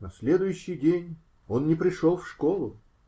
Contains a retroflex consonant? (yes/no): yes